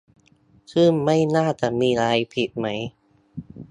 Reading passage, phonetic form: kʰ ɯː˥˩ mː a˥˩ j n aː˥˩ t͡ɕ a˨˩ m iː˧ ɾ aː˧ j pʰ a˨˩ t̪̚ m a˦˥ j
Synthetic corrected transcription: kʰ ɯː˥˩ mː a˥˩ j n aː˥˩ t͡ɕ a˨˩ m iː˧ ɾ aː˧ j pʰ i˨˩ t̪̚ m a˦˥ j